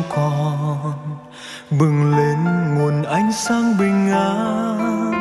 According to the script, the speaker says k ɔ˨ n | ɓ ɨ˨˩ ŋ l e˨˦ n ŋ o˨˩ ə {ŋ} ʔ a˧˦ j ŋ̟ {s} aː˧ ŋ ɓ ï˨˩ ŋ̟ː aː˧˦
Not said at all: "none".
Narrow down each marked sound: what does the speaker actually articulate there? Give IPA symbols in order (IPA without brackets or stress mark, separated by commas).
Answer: n, s